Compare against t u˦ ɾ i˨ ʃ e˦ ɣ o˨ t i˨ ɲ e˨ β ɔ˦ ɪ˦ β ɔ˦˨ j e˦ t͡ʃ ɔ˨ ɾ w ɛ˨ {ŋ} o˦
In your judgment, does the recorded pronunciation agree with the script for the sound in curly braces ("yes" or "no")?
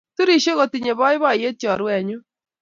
no